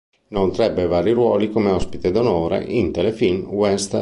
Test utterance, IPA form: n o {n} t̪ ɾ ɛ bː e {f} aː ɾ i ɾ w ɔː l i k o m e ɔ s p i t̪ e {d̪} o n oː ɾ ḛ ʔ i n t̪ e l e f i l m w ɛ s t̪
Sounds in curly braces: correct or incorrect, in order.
correct, incorrect: v, correct

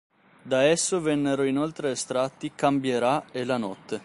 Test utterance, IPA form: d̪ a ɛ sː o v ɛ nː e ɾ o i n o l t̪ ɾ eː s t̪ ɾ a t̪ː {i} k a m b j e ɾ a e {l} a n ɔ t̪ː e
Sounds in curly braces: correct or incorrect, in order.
correct, correct

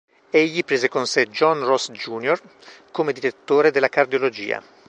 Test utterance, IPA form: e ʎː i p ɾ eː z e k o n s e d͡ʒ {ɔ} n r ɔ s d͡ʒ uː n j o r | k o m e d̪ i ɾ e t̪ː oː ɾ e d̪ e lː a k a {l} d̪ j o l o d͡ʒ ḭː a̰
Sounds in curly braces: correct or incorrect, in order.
correct, incorrect: r

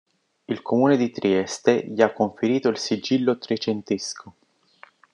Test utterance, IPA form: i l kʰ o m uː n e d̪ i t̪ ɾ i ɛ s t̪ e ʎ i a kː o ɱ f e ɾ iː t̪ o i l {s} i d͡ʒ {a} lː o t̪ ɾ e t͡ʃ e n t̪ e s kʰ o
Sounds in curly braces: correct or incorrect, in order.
correct, incorrect: i

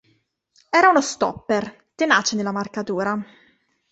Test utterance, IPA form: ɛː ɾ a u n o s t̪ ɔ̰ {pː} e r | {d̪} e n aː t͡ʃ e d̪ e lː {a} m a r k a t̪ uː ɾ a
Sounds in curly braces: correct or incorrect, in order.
correct, incorrect: t̪, correct

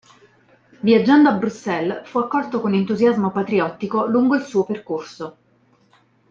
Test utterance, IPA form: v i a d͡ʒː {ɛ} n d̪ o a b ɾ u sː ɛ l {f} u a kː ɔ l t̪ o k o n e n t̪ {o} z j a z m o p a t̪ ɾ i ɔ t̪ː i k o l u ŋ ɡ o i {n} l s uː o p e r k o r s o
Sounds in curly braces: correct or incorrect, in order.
incorrect: a, correct, incorrect: u, incorrect: none

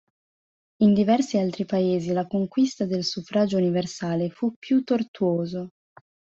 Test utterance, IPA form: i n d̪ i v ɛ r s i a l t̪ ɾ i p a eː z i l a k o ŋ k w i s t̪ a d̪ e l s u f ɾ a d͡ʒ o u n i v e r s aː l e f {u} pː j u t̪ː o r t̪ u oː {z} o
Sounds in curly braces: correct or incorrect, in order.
correct, correct

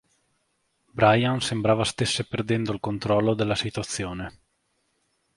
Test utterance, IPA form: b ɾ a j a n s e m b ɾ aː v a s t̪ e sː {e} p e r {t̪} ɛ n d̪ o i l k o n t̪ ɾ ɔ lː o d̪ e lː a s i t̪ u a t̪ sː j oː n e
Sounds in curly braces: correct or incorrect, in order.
correct, incorrect: d̪

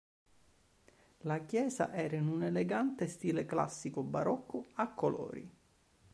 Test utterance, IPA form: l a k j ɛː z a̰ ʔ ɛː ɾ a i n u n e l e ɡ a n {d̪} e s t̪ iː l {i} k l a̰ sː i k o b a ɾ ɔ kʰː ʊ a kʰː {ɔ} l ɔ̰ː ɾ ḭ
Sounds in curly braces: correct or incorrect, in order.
incorrect: t̪, incorrect: e, incorrect: o

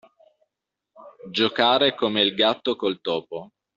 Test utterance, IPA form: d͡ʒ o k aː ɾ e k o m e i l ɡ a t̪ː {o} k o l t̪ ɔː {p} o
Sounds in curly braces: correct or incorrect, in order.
correct, correct

